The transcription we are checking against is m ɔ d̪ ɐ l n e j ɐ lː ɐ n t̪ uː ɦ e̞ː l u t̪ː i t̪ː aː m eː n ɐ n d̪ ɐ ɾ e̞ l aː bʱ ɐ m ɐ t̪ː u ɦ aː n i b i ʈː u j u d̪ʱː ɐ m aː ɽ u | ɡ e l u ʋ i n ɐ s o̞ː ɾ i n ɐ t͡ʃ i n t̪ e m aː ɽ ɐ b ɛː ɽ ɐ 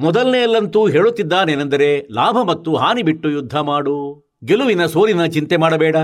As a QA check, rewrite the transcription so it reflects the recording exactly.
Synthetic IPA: m ɔ d̪ ɐ l n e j ɐ lː ɐ n t̪ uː ɦ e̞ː ɭ u t̪ː i d̪ː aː n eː n ɐ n d̪ ɐ ɾ e̞ l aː bʱ ɐ m ɐ t̪ː u ɦ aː n i b i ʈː u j u d̪ʱː ɐ m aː ɽ u | ɡ e l u ʋ i n ɐ s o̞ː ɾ i n ɐ t͡ʃ i n t̪ e m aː ɽ ɐ b ɛː ɽ ɐ